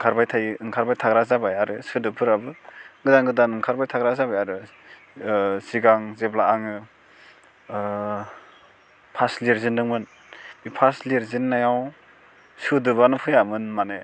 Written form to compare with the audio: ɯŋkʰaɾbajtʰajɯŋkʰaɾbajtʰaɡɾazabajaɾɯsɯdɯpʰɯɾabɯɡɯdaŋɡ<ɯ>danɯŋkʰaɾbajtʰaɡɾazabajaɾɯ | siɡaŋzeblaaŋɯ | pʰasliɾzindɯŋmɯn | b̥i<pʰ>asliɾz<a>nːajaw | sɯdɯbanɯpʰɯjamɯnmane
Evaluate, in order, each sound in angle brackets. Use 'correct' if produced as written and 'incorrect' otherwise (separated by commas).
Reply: correct, correct, incorrect